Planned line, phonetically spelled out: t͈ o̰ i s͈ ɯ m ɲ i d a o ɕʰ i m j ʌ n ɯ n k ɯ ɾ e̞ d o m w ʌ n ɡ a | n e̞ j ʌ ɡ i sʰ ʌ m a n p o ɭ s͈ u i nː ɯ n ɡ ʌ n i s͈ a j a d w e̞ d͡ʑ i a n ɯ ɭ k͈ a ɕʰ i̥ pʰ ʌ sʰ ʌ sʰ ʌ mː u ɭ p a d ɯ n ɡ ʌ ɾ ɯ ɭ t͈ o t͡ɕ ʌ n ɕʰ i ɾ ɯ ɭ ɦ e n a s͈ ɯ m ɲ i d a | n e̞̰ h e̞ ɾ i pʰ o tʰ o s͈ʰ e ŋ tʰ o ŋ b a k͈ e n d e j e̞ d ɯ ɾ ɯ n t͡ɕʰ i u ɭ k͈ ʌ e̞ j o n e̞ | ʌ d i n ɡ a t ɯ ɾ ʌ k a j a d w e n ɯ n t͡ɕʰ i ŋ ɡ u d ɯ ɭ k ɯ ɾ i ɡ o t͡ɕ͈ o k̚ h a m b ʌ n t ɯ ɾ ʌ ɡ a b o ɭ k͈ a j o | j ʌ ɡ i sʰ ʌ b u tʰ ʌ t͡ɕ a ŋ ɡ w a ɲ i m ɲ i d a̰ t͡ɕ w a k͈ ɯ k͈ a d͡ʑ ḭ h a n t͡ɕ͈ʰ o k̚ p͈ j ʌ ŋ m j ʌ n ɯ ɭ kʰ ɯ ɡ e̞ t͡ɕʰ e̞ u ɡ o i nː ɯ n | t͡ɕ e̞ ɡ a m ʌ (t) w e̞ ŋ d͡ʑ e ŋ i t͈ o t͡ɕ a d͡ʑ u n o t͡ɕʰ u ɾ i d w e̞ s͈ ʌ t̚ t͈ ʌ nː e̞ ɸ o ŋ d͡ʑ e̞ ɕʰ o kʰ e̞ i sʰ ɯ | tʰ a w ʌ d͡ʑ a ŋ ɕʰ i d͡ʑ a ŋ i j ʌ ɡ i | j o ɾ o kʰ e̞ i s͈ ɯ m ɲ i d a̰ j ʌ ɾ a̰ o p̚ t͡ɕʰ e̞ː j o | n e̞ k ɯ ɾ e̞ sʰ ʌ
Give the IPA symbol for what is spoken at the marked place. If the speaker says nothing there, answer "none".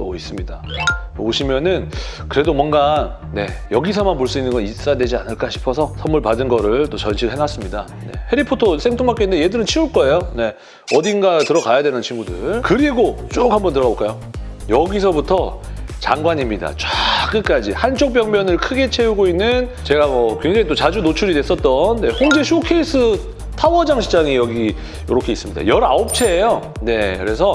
k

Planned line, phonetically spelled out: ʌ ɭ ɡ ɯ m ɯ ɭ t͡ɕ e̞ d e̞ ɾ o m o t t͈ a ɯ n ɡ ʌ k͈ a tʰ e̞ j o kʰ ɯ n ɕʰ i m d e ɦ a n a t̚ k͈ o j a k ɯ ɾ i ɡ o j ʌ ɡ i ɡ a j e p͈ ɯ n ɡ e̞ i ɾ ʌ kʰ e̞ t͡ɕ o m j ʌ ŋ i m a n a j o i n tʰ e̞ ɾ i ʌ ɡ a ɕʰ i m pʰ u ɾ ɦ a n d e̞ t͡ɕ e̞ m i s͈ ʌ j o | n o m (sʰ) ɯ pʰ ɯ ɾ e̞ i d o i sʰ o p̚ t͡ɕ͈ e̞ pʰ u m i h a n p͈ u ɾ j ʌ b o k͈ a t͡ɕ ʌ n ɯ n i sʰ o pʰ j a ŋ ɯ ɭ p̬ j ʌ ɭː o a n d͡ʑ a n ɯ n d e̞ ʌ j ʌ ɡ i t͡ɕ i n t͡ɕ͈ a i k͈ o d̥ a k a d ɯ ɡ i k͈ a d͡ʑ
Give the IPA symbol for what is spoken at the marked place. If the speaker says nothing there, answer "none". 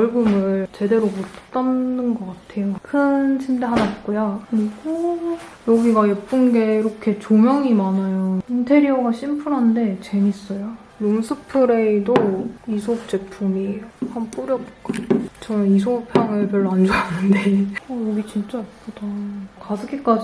sʰ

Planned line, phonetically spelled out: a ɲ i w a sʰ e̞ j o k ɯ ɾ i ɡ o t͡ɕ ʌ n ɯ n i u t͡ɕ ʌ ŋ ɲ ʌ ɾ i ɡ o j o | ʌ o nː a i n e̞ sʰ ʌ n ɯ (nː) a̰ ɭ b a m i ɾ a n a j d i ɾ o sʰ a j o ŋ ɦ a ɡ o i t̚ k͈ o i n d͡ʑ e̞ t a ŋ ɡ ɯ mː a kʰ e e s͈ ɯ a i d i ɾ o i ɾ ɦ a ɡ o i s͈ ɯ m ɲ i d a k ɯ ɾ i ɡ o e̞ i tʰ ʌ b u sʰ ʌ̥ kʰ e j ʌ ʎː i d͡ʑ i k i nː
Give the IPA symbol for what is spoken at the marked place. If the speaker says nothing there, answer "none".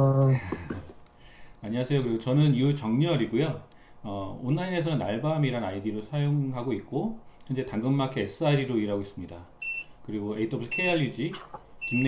n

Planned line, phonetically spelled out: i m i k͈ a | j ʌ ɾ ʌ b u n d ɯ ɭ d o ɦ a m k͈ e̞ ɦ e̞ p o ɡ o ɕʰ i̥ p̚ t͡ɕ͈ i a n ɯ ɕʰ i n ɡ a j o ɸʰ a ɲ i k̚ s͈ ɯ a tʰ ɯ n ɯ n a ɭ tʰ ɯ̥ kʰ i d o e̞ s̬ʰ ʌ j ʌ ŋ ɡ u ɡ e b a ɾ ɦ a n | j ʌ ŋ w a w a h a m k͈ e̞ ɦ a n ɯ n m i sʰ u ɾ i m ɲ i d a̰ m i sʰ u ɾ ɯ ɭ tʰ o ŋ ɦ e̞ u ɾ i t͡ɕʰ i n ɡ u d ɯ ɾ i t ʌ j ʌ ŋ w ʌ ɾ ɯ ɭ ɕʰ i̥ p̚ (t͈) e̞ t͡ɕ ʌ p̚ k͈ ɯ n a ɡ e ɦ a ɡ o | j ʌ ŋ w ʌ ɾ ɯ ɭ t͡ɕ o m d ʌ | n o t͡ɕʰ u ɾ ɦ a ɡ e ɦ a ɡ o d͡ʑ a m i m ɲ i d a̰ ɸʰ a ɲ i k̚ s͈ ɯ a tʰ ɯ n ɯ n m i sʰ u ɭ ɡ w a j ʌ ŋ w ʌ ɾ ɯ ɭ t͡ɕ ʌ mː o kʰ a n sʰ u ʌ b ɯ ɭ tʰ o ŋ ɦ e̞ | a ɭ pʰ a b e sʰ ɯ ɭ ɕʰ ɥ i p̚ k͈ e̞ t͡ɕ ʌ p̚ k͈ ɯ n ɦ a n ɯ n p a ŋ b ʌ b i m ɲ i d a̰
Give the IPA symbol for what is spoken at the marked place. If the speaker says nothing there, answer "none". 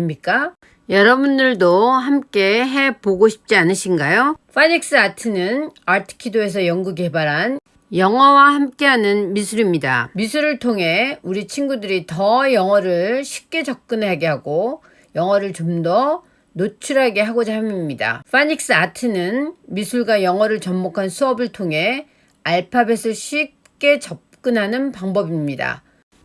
k͈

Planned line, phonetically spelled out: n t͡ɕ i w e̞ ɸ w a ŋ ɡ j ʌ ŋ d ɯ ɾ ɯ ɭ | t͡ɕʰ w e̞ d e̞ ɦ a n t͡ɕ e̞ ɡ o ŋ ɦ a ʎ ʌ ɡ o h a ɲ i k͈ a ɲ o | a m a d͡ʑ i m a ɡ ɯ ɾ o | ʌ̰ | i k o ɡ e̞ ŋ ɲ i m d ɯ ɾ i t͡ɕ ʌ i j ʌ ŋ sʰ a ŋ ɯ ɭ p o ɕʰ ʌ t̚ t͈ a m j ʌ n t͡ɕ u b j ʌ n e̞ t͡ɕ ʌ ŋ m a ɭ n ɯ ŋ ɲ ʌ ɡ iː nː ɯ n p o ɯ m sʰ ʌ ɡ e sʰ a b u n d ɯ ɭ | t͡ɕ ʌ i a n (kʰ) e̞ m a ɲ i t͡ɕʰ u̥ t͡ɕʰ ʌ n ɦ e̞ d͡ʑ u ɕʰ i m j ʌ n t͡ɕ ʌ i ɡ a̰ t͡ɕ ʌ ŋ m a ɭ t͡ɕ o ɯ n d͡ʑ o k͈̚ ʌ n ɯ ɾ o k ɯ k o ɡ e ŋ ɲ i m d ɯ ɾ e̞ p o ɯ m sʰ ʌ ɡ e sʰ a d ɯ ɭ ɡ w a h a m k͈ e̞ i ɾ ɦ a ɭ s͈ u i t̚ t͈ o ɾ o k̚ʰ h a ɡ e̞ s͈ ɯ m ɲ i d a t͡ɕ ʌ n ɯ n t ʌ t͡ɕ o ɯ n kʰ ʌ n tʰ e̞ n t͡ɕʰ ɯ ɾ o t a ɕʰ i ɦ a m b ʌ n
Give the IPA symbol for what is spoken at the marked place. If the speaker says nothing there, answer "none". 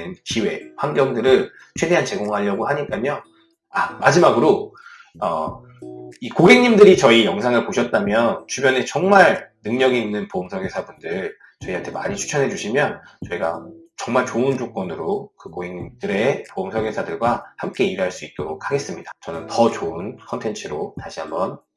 tʰ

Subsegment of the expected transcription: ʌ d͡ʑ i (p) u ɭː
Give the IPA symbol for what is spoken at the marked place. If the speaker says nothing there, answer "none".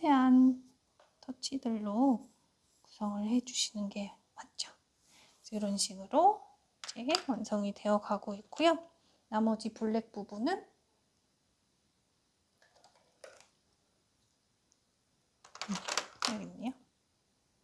p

